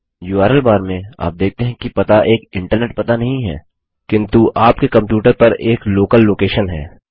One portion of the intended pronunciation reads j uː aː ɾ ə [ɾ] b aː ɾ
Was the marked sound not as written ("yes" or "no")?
yes